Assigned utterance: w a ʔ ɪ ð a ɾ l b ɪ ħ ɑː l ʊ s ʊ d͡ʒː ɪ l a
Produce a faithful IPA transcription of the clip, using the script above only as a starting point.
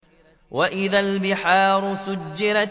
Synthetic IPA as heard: w a ʔ ɪ ð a l b ɪ ħ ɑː ɾ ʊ s ʊ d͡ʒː ɪ ɾ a